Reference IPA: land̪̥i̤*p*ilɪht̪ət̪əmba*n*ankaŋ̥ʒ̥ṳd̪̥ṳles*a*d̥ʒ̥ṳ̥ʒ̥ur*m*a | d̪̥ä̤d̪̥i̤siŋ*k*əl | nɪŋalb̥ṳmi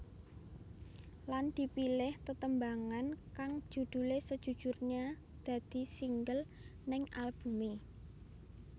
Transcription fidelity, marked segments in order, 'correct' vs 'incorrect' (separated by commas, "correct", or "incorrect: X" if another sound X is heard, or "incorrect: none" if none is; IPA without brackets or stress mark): correct, incorrect: ŋ, incorrect: ə, incorrect: ɲ, incorrect: ɡ